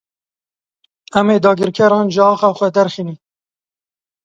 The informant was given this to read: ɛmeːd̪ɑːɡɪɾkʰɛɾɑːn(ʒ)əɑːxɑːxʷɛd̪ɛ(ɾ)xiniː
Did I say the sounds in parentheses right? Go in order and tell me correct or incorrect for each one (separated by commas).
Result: correct, correct